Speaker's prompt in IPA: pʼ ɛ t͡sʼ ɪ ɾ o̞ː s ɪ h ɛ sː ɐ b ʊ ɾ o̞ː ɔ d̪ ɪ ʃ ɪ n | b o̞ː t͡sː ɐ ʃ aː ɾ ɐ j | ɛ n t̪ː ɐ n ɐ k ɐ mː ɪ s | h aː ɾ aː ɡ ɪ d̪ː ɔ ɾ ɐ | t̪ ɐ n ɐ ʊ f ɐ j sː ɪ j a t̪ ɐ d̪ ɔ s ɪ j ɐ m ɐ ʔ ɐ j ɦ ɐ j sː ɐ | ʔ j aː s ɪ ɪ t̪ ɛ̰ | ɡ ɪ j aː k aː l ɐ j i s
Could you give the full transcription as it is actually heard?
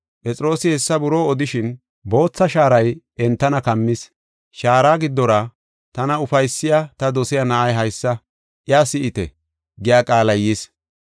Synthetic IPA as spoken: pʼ ɛ t͡sʼ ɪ ɾ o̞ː s ɪ h ɛ sː ɐ b ʊ ɾ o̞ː ɔ d̪ ɪ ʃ ɪ n | b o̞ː t͡sː ɐ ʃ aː ɾ ɐ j | ɛ n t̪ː ɐ n ɐ k ɐ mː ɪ s | ʃ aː ɾ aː ɡ ɪ d̪ː ɔ ɾ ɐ | t̪ ɐ n ɐ ʊ f ɐ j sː ɪ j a t̪ ɐ d̪ ɔ s ɪ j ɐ n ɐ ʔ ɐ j ɦ ɐ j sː ɐ | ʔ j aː s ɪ ɪ t̪ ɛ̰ | ɡ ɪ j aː kʼ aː l ɐ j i s